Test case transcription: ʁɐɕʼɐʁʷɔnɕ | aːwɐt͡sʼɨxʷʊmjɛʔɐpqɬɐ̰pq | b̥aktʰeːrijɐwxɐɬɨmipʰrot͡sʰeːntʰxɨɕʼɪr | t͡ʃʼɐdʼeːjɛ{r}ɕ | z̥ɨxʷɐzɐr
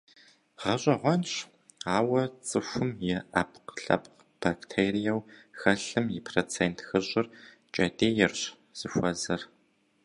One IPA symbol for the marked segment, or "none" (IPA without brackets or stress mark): r